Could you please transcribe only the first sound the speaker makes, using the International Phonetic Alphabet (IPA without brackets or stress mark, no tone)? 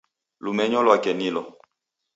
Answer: l